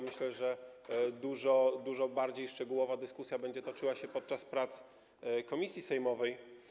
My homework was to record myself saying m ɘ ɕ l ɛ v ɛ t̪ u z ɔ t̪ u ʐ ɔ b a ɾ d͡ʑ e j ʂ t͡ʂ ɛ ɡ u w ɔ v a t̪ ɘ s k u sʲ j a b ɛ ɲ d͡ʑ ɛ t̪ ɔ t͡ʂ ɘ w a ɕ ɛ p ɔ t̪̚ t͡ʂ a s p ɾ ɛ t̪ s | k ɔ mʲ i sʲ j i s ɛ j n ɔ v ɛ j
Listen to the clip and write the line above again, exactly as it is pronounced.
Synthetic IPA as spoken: m ɘ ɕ l ɛ ʐ ɛ d̪ u ʐ ɔ d̪ u ʐ ɔ b a ɾ d͡ʑ e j ʂ t͡ʂ ɛ ɡ u w ɔ v a d̪ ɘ s k u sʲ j a b ɛ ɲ d͡ʑ ɛ t̪ ɔ t͡ʂ ɘ w a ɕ ɛ p ɔ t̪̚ t͡ʂ a s p ɾ a t̪ s | k ɔ mʲ i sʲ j i s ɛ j m ɔ v ɛ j

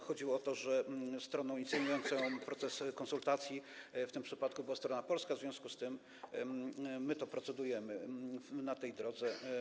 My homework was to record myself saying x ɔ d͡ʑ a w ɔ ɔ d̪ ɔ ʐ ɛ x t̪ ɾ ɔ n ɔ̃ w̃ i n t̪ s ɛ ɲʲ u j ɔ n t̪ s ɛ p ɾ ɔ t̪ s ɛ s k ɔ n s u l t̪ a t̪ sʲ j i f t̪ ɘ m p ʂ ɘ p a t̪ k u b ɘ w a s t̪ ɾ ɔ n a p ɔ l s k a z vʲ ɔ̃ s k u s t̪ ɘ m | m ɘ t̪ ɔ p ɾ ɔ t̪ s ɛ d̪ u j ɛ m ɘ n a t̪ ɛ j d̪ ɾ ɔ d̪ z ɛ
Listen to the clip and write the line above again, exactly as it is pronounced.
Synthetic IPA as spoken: x ɔ d͡ʑ i w ɔ ɔ t̪ ɔ ʐ ɛ s t̪ ɾ ɔ n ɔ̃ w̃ i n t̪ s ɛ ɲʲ u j ɔ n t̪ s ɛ p ɾ ɔ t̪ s ɛ s k ɔ n s u l t̪ a t̪ sʲ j i f t̪ ɘ m p ʂ ɘ p a t̪ k u b ɘ w a s t̪ ɾ ɔ n a p ɔ l s k a z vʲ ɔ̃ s k u s t̪ ɘ m | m ɘ t̪ ɔ p ɾ ɔ t̪ s ɛ d̪ u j ɛ m ɘ n a t̪ ɛ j d̪ ɾ ɔ d̪ z ɛ

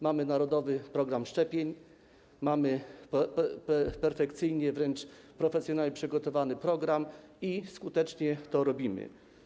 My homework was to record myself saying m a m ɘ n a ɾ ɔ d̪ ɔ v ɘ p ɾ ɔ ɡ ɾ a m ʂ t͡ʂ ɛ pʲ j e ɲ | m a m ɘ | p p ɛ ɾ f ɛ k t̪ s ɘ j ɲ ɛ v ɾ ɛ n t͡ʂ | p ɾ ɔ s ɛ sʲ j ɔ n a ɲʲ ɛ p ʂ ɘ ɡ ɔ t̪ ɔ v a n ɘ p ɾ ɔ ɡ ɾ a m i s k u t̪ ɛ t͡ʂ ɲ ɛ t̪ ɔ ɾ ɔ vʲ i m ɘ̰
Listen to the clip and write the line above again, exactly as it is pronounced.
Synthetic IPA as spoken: m a m ɘ n a ɾ ɔ d̪ ɔ v ɘ p ɾ ɔ ɡ ɾ a m ʂ t͡ʂ ɛ pʲ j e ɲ | m a m ɘ | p p ɛ ɾ f ɛ k t̪ s ɘ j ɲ ɛ v ɾ ɛ n t͡ʂ | p ɾ ɔ f ɛ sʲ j ɔ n a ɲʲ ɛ p ʂ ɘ ɡ ɔ t̪ ɔ v a n ɘ p ɾ ɔ ɡ ɾ a m i s k u t̪ ɛ t͡ʂ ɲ ɛ t̪ ɔ ɾ ɔ bʲ i m ɘ̰

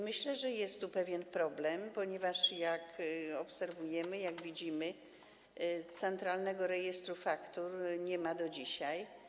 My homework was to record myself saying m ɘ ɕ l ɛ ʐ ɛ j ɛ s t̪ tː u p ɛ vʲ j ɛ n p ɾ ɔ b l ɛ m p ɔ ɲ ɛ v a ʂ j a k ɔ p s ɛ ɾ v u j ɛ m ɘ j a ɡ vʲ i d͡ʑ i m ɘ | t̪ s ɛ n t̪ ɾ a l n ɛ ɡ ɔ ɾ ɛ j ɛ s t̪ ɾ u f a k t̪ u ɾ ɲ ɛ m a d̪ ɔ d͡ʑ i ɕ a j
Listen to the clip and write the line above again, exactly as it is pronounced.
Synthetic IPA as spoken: m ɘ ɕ l ɛ ʐ ɛ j ɛ s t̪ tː u p ɛ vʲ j ɛ n p ɾ ɔ b l ɛ m p ɔ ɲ ɛ v a ʂ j a k ɔ p s ɛ ɾ v u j ɛ m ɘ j a ɡ vʲ i d͡ʑ i m ɘ | t̪ s ɛ n t̪ ɾ a l n ɛ ɡ ɔ ɾ ɛ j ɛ s t̪ ɾ u f a k t̪ u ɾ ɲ ɛ m a d̪ ɔ d͡ʑ i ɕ a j

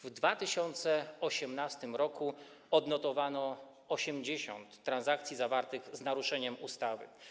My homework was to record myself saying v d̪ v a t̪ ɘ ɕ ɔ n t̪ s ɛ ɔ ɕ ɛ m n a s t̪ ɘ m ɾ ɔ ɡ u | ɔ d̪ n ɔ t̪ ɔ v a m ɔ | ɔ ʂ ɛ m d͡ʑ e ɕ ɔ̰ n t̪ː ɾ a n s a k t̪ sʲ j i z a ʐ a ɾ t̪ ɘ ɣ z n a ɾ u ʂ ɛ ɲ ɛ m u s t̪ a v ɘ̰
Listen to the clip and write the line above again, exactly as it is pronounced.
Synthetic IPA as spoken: v d̪ v a t̪ ɘ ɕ ɔ n t̪ s ɛ ɔ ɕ ɛ m n a s t̪ ɘ m ɾ ɔ k u | ɔ d̪ n ɔ t̪ ɔ v a n ɔ | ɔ ɕ ɛ m d͡ʑ e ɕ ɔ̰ n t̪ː ɾ a n z a k t̪ sʲ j i z a v a ɾ t̪ ɘ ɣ z n a ɾ u ʂ ɛ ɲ ɛ m u s t̪ a v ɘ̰

